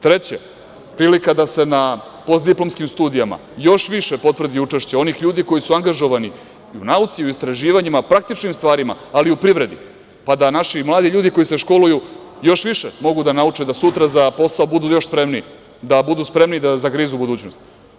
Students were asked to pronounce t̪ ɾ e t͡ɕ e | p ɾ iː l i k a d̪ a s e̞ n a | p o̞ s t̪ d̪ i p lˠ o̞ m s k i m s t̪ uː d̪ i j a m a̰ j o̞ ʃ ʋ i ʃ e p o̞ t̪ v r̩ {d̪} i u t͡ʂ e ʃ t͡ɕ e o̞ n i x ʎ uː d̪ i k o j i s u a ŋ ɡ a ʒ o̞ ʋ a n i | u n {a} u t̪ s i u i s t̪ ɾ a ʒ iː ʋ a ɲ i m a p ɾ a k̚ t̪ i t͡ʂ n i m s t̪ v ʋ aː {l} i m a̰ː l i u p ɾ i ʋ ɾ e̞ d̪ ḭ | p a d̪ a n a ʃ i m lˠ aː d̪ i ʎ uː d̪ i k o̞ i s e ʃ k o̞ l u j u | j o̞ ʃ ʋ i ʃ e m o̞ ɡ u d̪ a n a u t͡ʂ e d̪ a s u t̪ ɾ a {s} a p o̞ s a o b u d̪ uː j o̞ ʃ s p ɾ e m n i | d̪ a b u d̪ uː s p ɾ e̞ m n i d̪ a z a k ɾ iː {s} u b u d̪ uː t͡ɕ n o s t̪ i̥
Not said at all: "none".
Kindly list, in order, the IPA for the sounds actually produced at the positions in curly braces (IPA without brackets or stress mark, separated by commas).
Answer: d̪, a, ɾ, z, z